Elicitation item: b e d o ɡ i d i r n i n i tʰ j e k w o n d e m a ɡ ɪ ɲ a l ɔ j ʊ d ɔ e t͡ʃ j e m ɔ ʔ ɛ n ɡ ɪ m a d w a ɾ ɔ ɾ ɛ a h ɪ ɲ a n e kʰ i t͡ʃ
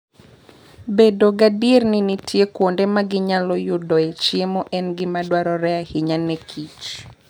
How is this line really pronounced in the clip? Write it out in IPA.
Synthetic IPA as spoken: b e d o ɡ a d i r n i n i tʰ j e k w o n d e m a ɡ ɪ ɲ a l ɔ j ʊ d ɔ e t͡ʃ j e m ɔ ʔ ɛ n ɡ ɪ m a d w a ɾ ɔ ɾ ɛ a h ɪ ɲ a n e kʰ i t͡ʃ